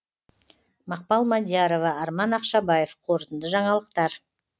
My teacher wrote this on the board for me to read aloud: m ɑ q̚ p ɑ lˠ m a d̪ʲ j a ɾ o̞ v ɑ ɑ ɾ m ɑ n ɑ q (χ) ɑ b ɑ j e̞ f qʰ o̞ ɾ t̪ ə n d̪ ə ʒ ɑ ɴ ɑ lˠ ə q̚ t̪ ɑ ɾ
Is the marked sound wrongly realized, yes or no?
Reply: yes